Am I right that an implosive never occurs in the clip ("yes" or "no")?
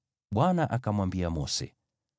no